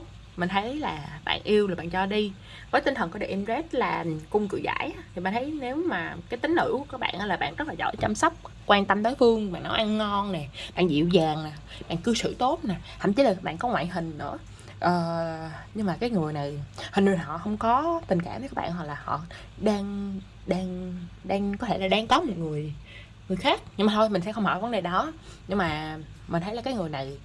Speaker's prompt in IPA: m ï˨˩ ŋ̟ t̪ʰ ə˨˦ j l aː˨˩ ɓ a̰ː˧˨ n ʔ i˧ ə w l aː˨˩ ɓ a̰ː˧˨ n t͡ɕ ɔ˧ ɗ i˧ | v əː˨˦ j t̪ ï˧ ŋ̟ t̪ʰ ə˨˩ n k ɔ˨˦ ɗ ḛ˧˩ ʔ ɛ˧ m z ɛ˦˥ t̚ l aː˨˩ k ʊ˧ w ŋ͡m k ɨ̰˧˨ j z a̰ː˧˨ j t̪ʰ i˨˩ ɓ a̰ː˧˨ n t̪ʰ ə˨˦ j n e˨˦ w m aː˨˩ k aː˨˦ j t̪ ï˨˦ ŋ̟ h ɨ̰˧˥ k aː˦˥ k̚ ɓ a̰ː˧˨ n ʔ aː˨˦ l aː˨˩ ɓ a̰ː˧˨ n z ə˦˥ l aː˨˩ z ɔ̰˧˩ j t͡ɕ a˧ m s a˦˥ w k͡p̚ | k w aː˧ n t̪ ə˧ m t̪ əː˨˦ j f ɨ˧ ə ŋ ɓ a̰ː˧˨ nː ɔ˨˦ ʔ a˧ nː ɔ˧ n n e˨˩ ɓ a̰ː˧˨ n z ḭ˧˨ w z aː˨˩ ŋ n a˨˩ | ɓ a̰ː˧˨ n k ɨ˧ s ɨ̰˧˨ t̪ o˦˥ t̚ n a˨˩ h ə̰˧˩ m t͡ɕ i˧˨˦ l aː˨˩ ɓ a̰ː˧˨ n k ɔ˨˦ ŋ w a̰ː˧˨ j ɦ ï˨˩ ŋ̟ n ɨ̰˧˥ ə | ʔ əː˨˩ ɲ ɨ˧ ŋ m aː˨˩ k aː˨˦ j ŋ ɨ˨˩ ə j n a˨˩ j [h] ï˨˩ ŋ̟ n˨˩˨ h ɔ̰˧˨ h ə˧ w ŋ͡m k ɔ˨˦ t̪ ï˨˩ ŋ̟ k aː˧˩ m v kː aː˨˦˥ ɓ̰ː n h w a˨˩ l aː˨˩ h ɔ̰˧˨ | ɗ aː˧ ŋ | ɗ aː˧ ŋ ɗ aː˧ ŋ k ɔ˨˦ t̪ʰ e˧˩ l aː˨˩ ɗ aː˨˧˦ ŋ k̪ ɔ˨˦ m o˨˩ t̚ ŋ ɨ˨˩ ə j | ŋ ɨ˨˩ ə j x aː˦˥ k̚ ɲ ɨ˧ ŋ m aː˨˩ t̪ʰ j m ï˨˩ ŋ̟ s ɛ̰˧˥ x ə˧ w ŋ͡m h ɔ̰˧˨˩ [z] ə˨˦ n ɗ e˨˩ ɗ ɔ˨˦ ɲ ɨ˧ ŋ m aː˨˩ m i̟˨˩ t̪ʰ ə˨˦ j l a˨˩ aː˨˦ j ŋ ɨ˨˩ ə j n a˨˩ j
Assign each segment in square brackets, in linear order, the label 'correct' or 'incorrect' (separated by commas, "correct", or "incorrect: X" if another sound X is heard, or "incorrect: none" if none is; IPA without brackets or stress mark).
correct, incorrect: v